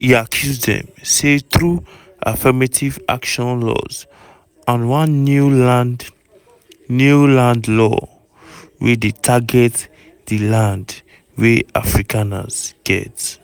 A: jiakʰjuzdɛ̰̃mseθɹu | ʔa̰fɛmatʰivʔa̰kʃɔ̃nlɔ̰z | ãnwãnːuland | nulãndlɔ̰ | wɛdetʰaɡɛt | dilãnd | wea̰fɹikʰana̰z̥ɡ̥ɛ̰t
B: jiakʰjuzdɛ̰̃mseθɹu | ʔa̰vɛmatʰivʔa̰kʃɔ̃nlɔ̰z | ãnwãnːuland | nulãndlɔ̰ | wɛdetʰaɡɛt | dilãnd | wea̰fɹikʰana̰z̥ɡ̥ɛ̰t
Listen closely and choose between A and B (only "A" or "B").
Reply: A